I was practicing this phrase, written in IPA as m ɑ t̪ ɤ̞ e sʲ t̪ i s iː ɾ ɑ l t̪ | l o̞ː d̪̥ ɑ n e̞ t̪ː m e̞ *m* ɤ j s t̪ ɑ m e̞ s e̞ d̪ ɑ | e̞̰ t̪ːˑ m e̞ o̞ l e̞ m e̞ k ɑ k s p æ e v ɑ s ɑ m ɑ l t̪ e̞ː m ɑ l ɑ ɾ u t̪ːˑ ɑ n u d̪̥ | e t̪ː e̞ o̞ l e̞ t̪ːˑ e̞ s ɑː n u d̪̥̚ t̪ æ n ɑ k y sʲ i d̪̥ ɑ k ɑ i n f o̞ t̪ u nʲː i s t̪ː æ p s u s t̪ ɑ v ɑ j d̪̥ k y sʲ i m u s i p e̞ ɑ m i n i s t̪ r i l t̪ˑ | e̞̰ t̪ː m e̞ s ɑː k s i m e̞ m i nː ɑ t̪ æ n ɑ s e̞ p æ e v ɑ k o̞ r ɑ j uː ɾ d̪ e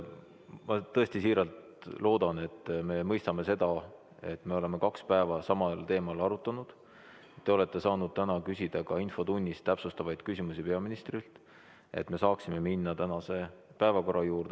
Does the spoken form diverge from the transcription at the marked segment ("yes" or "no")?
no